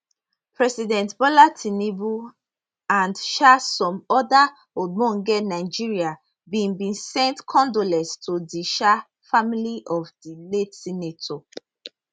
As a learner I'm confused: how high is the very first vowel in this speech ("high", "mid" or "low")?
mid